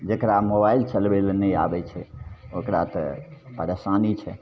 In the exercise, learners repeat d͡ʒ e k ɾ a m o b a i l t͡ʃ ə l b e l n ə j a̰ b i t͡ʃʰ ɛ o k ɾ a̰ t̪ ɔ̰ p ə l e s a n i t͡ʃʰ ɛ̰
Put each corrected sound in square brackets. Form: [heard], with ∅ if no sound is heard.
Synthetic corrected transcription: d͡ʒ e k ɾ a m o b a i l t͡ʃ ə l b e l n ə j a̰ b [ɛ] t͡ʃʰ ɛ o k ɾ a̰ t̪ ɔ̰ p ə [ɾ] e s a n i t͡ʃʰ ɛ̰